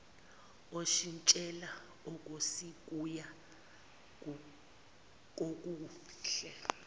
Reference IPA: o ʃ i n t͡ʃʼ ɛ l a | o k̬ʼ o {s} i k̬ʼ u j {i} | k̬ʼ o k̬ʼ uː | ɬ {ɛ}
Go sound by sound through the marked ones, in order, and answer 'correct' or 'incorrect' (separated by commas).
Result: correct, incorrect, correct